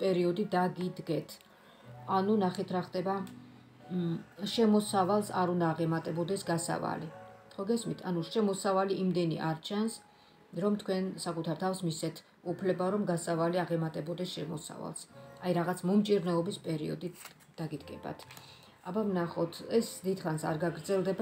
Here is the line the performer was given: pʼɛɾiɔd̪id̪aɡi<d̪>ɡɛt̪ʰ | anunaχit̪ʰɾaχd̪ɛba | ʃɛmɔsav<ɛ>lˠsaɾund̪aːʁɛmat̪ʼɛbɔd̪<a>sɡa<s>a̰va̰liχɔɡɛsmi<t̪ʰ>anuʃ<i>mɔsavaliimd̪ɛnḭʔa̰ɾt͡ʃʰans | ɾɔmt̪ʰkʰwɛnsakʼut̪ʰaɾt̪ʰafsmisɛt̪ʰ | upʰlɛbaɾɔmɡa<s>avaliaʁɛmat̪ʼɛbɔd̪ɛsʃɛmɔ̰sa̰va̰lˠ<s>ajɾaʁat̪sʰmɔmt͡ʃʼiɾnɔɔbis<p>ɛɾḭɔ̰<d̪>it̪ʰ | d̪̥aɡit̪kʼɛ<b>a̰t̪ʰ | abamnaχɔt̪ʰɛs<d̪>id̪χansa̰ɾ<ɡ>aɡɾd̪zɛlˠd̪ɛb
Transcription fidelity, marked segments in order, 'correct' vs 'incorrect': correct, incorrect: a, incorrect: ɛ, correct, correct, incorrect: ɛ, correct, correct, incorrect: pʼ, correct, correct, correct, correct

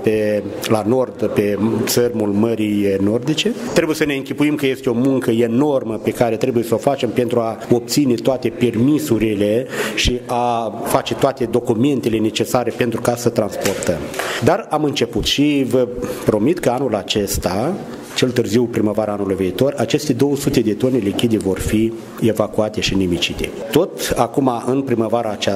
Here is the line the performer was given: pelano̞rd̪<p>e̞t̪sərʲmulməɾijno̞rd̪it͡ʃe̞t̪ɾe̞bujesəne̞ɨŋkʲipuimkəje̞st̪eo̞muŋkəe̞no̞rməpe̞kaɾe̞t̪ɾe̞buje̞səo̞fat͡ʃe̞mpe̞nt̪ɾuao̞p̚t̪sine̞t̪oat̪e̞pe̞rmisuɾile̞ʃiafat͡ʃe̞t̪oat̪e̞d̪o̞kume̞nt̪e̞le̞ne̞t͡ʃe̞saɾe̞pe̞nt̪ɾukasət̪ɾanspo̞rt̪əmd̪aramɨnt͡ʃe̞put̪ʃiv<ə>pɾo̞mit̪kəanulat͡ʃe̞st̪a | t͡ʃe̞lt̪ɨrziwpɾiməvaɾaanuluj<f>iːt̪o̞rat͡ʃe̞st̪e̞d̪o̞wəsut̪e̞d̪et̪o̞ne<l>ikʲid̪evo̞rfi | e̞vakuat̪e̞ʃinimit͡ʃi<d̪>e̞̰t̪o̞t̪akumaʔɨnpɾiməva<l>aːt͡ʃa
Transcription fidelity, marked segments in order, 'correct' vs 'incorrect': correct, correct, incorrect: v, correct, incorrect: t̪, incorrect: ɾ

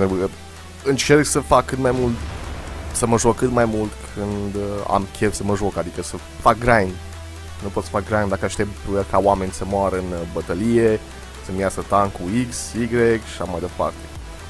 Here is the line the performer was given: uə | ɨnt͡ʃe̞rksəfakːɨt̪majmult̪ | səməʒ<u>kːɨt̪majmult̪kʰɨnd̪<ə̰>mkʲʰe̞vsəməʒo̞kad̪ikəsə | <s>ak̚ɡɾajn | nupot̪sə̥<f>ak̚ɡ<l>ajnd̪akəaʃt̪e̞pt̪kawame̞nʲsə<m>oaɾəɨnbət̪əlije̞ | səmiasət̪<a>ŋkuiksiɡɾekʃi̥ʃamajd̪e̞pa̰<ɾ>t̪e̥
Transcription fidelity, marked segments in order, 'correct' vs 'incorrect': incorrect: o, incorrect: a̰, incorrect: f, correct, incorrect: ɾ, correct, correct, incorrect: r

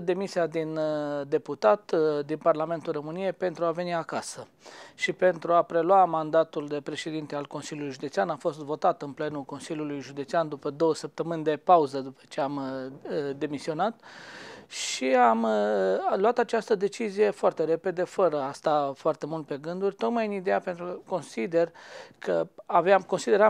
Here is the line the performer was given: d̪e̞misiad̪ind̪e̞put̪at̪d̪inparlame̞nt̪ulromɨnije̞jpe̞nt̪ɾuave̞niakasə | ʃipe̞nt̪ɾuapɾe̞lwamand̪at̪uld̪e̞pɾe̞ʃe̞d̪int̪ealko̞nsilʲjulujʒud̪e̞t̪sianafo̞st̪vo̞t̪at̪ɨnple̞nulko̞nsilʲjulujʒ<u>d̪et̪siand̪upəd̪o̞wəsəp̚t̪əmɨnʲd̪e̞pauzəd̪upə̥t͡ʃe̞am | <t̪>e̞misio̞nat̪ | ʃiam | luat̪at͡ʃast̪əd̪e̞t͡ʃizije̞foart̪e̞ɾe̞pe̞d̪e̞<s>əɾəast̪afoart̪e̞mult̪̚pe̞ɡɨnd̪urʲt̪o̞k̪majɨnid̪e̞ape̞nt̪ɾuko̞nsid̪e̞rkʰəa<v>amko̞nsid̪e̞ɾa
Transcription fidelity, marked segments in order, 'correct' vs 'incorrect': correct, incorrect: d̪, incorrect: f, correct

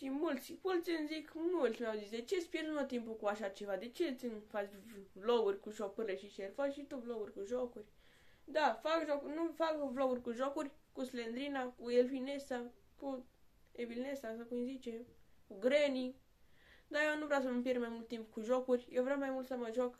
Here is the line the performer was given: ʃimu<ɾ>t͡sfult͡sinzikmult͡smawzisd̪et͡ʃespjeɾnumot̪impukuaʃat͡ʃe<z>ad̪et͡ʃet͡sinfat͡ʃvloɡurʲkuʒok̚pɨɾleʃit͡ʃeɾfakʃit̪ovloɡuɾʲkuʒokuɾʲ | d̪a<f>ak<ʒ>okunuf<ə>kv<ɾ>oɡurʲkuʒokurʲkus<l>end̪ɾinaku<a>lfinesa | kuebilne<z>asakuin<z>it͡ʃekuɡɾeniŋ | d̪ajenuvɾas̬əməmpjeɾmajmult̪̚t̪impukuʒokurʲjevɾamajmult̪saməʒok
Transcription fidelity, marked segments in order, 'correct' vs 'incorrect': incorrect: l, incorrect: v, correct, correct, incorrect: a, incorrect: l, correct, incorrect: e, incorrect: s, correct

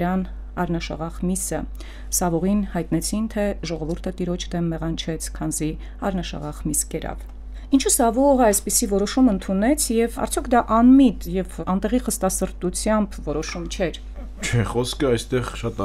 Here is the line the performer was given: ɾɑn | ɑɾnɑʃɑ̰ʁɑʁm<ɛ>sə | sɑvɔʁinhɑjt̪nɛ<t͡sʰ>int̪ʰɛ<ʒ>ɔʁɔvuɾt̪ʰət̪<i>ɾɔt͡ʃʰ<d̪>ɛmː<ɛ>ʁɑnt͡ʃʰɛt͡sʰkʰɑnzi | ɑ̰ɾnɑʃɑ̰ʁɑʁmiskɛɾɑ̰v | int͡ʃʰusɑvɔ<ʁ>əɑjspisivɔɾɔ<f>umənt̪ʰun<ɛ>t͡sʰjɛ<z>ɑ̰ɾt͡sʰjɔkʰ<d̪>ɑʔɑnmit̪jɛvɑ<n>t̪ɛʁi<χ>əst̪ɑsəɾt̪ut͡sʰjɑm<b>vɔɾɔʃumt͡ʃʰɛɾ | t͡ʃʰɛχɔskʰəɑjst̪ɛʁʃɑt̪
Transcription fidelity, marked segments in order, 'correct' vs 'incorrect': incorrect: i, correct, correct, correct, correct, correct, correct, incorrect: ʃ, correct, incorrect: v, correct, correct, correct, correct

